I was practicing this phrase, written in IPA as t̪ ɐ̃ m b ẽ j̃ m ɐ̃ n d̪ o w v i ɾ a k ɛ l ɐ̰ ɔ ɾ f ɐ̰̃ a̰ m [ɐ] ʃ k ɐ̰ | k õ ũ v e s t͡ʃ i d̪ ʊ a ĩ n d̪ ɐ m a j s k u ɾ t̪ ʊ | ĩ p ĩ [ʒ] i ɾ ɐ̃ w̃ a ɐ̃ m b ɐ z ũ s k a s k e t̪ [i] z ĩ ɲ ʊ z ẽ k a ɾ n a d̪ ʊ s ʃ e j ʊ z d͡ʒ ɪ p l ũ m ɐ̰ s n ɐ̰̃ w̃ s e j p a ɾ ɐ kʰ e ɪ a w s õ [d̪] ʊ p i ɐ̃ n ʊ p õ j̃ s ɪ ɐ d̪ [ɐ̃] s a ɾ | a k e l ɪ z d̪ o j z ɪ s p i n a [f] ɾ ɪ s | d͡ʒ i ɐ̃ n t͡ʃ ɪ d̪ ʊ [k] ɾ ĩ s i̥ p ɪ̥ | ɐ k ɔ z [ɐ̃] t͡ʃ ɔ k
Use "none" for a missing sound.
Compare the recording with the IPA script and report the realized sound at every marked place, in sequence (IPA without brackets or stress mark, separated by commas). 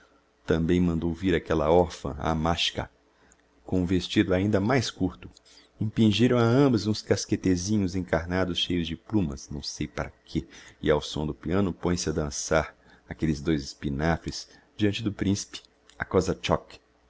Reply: a, ʒ, e, d̪, ɐ̃, f, p, ɐ